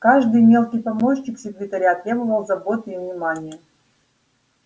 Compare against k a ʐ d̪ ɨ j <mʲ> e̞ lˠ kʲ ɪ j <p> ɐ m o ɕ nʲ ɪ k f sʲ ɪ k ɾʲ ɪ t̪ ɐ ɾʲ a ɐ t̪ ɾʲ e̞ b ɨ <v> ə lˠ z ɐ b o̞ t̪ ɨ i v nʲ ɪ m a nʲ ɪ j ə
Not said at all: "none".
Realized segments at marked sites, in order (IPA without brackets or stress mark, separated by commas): mʲ, p, v